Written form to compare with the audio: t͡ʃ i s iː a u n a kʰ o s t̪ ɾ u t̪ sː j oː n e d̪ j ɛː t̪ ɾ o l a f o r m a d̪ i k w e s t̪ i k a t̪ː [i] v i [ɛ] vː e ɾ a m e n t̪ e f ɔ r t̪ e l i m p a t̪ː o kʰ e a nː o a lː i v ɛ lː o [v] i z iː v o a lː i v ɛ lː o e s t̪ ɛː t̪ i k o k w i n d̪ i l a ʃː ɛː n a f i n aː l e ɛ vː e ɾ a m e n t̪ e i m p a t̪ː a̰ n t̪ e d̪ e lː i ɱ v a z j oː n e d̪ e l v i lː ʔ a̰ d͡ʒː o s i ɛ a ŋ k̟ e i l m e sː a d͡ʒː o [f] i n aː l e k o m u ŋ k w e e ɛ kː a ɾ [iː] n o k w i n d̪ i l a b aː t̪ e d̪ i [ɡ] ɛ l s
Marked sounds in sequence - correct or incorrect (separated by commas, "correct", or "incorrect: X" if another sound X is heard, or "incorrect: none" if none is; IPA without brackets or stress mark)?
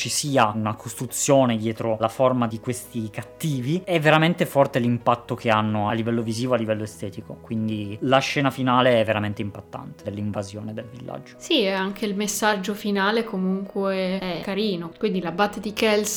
incorrect: iː, correct, correct, correct, correct, incorrect: k